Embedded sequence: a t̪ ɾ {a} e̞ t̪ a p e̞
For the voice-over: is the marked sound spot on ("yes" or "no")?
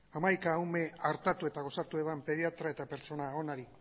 yes